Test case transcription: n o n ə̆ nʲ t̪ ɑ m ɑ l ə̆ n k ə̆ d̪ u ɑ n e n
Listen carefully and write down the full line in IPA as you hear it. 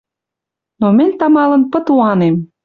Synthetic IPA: n o m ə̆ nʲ t̪ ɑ m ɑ l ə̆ n p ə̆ t̪ u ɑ n e m